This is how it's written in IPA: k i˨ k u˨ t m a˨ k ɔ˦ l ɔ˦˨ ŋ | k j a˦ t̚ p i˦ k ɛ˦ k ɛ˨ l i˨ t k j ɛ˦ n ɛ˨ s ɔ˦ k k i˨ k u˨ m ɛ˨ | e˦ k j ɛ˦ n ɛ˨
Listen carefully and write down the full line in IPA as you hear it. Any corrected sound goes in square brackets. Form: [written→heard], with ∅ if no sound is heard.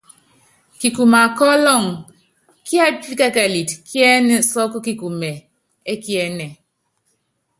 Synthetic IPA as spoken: k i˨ k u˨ [t→∅] m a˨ k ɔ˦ l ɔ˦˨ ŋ | k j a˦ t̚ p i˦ k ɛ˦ k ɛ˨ l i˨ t k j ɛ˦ n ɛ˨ s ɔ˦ k k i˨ k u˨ m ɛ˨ | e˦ k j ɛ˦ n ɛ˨